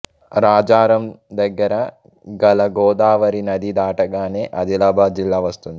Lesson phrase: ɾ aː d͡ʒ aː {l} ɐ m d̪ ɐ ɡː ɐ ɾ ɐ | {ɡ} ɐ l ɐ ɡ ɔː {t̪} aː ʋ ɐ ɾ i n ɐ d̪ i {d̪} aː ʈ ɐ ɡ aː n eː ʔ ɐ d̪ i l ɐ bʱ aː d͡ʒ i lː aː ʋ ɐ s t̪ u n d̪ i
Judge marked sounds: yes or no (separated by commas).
no, yes, no, yes